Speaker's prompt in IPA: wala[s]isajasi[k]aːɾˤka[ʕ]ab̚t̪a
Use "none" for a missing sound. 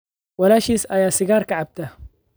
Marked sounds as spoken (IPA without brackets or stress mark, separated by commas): ʃ, ɡ, ʕ